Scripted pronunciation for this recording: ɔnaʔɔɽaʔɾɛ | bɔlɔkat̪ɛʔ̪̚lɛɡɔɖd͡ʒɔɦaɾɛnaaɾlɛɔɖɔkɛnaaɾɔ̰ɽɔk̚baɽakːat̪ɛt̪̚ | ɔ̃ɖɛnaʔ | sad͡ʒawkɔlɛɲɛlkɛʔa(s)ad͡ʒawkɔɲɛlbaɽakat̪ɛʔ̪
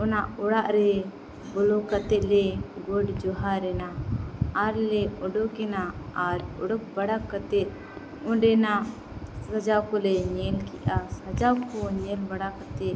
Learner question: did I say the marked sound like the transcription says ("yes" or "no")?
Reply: yes